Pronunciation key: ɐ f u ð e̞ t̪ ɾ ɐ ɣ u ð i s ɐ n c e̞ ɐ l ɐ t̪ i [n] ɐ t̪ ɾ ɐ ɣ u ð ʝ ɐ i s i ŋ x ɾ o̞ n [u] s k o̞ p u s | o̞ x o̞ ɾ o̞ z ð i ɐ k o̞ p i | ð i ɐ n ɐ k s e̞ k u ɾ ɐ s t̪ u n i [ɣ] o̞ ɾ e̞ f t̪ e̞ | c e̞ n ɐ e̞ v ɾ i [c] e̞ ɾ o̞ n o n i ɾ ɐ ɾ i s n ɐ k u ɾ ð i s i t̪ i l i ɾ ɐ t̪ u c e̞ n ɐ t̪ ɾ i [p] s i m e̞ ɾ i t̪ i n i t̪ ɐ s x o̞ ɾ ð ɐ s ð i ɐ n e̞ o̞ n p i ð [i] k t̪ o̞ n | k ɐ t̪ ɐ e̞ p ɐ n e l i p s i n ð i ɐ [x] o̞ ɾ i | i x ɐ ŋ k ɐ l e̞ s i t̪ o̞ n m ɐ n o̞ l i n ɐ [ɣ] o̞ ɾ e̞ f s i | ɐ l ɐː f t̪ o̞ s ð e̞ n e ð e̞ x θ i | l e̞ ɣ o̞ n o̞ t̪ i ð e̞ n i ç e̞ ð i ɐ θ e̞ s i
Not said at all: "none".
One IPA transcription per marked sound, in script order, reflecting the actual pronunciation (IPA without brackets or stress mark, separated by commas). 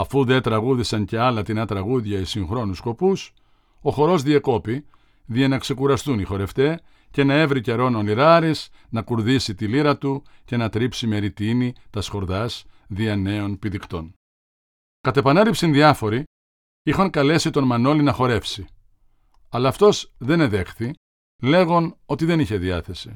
n, u, x, c, p, i, f, x